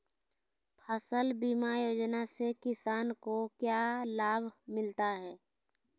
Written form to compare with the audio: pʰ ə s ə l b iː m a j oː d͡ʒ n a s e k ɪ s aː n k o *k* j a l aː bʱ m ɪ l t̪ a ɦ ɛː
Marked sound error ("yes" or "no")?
no